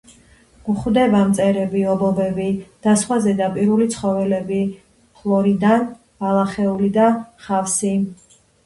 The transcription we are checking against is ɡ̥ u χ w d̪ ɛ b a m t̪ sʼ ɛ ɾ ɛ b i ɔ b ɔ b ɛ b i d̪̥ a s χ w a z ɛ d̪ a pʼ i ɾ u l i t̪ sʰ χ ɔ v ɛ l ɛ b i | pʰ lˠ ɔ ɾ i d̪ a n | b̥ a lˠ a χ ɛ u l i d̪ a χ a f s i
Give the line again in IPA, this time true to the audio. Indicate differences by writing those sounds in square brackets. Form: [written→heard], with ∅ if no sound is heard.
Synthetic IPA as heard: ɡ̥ u χ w d̪ ɛ b a m t̪ sʼ ɛ ɾ ɛ b i ɔ b ɔ b ɛ b i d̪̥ a s χ w a z ɛ d̪ a pʼ i ɾ u l i t̪ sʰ χ ɔ v ɛ l ɛ b i | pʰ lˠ ɔ ɾ i d̪ a n | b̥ a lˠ a χ ɛ u l i d̪ a χ a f s i

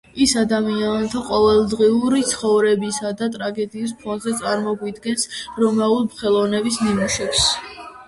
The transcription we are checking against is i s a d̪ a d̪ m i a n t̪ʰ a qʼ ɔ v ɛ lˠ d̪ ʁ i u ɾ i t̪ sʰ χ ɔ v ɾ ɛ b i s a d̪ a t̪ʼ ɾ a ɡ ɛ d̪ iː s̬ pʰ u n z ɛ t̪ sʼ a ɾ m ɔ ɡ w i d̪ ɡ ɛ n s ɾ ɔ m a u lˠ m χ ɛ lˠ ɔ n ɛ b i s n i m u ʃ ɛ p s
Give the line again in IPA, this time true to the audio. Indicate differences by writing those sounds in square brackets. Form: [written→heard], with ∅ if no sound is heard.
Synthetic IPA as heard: i s a d̪ a [d̪→∅] m i a n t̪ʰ a qʼ ɔ v ɛ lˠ d̪ ʁ i u ɾ i t̪ sʰ χ ɔ v ɾ ɛ b i s a d̪ a t̪ʼ ɾ a ɡ ɛ d̪ iː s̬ pʰ [u→ɔ] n z ɛ t̪ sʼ a ɾ m ɔ ɡ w i d̪ ɡ ɛ n s ɾ ɔ m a u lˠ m χ ɛ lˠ ɔ n ɛ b i s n i m u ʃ ɛ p s

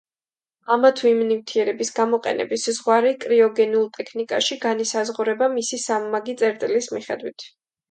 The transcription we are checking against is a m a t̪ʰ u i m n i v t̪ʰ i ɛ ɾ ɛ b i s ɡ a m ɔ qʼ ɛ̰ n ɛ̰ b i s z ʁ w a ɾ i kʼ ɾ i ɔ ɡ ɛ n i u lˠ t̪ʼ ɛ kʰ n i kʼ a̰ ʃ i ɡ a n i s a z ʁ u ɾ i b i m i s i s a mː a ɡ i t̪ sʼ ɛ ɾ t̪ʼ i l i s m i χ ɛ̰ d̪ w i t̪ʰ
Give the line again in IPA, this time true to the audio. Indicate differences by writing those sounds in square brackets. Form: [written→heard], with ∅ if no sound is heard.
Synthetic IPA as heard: a m a t̪ʰ u i m n i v t̪ʰ i ɛ ɾ ɛ b i s ɡ a m ɔ qʼ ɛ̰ n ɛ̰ b i s z ʁ w a ɾ i kʼ ɾ i ɔ ɡ ɛ n i u lˠ t̪ʼ ɛ kʰ n i kʼ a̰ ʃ i ɡ a n i s a z ʁ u ɾ [i→ɛ] b [i→a] m i s i s a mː a ɡ i t̪ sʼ ɛ ɾ t̪ʼ i l i s m i χ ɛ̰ d̪ w i t̪ʰ

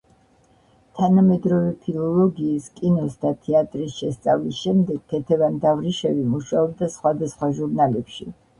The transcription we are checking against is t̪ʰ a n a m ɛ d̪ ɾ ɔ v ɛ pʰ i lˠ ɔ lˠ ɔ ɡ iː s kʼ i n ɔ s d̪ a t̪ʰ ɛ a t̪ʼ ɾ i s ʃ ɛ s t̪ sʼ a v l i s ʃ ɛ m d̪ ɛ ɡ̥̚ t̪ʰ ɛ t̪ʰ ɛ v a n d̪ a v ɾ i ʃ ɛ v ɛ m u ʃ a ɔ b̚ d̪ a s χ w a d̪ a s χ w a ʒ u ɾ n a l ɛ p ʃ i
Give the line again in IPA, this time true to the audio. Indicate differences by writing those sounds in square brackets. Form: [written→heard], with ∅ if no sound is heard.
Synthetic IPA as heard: t̪ʰ a n a m ɛ d̪ ɾ ɔ v ɛ pʰ i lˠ ɔ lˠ ɔ ɡ iː s kʼ i n ɔ s d̪ a t̪ʰ ɛ a t̪ʼ ɾ i s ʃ ɛ s t̪ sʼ a v l i s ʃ ɛ m d̪ ɛ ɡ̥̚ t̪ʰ ɛ t̪ʰ ɛ v a n d̪ a v ɾ i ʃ ɛ v [ɛ→i] m u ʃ a ɔ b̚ d̪ a s χ w a d̪ a s χ w a ʒ u ɾ n a l ɛ p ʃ i

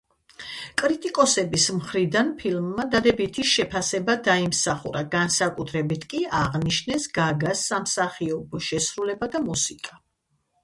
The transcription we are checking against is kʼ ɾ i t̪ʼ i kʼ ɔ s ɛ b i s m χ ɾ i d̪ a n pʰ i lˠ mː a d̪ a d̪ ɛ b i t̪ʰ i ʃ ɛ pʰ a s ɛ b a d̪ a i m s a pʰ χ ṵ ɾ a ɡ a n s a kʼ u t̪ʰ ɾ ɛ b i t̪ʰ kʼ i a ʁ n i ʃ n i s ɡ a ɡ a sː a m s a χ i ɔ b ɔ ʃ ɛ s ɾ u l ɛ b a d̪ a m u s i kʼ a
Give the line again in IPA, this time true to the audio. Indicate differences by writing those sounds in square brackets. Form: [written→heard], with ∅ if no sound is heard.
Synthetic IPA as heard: kʼ ɾ i t̪ʼ i kʼ ɔ s ɛ b i s m χ ɾ i d̪ a n pʰ i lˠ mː a d̪ a d̪ ɛ b i t̪ʰ i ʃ ɛ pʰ a s ɛ b a d̪ a i m s a [pʰ→∅] χ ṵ ɾ a ɡ a n s a kʼ u t̪ʰ ɾ ɛ b i t̪ʰ kʼ i a ʁ n i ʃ n [i→ɛ] s ɡ a ɡ a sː a m s a χ i ɔ b ɔ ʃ ɛ s ɾ u l ɛ b a d̪ a m u s i kʼ a

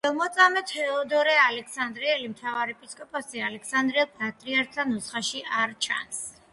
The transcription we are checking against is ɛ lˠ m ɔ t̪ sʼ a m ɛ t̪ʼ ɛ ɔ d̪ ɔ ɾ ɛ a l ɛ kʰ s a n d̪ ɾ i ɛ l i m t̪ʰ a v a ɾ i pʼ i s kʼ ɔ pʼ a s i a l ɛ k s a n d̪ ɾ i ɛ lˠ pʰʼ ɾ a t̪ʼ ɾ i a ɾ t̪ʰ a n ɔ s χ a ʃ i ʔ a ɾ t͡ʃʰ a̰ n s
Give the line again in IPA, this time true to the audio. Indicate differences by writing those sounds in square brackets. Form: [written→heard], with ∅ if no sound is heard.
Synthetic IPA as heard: ɛ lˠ m ɔ t̪ sʼ a m ɛ [t̪ʼ→t̪] ɛ ɔ d̪ ɔ ɾ ɛ a l ɛ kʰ s a n d̪ ɾ i ɛ l i m t̪ʰ a v a ɾ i pʼ i s kʼ ɔ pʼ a s i a l ɛ k s a n d̪ ɾ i ɛ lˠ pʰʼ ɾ a t̪ʼ ɾ i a ɾ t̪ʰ a n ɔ s χ a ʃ i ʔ a ɾ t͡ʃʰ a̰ n s

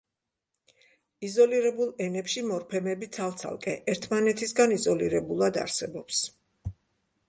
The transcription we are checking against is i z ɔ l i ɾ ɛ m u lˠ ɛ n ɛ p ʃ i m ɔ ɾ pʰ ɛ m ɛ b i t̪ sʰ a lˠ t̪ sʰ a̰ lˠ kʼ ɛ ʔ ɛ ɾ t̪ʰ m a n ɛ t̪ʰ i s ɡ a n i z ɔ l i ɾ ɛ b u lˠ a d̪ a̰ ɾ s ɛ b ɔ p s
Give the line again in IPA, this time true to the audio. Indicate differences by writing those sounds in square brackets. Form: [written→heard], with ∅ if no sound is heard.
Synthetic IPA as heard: i z ɔ l i ɾ ɛ [m→b] u lˠ ɛ n ɛ p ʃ i m ɔ ɾ pʰ ɛ m ɛ b i t̪ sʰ a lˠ t̪ sʰ a̰ lˠ kʼ ɛ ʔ ɛ ɾ t̪ʰ m a n ɛ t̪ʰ i s ɡ a n i z ɔ l i ɾ ɛ b u lˠ a d̪ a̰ ɾ s ɛ b ɔ p s

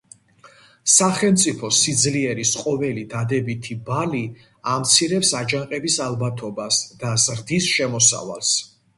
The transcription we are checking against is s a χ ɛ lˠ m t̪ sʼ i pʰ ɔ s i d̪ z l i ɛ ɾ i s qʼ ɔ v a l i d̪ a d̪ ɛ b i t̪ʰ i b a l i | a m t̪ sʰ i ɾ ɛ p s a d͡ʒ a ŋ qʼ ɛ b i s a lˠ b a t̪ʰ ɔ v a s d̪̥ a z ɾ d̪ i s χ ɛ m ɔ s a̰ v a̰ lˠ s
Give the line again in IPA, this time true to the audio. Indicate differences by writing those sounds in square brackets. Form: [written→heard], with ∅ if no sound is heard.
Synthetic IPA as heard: s a χ ɛ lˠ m t̪ sʼ i pʰ ɔ s i d̪ z l i ɛ ɾ i s qʼ ɔ v [a→ɛ] l i d̪ a d̪ ɛ b i t̪ʰ i b a l i | a m t̪ sʰ i ɾ ɛ p s a d͡ʒ a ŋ qʼ ɛ b i s a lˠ b a t̪ʰ ɔ [v→b] a s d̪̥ a z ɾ d̪ i s [χ→ʃ] ɛ m ɔ s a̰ v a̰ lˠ s

